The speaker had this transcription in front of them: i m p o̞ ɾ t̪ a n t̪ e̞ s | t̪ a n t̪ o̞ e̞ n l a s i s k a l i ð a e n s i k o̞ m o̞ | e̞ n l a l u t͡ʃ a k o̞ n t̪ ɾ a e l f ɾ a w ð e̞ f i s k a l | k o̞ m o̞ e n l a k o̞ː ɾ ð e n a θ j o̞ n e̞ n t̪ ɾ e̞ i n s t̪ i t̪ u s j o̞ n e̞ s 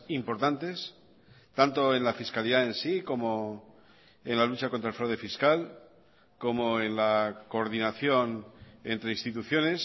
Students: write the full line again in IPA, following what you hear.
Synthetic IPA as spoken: i m p o̞ ɾ t̪ a n t̪ e̞ s | t̪ a n t̪ o̞ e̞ n l a f i s k a l i ð a e n s i k o̞ m o̞ | e̞ n l a l u t͡ʃ a k o̞ n t̪ ɾ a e l f ɾ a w ð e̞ f i s k a l | k o̞ m o̞ e n l a k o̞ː ɾ ð i n a θ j o̞ n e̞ n t̪ ɾ e̞ i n s t̪ i t̪ u θ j o̞ n e̞ s